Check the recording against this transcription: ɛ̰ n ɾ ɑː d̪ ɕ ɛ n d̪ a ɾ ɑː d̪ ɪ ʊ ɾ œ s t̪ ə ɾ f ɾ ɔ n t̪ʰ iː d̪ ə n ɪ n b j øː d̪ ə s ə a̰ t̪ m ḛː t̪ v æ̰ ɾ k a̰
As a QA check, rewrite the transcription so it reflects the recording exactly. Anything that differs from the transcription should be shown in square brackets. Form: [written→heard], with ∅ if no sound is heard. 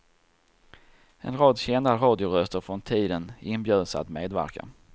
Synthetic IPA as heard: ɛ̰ n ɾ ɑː d̪ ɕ ɛ n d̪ a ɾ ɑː d̪ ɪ ʊ ɾ œ s t̪ ə ɾ f ɾ ɔ n t̪ʰ iː d̪ ə n ɪ n b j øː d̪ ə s ə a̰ t̪ m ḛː [t̪→d̪] v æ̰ ɾ k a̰